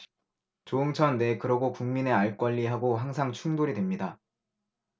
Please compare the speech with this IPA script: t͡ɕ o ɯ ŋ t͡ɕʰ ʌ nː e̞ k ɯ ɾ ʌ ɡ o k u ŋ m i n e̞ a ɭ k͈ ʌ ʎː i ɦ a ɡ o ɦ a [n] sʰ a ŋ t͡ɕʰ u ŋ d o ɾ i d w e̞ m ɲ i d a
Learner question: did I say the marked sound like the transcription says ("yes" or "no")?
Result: no